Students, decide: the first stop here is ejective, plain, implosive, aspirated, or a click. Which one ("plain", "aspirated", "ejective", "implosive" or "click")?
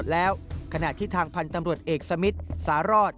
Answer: plain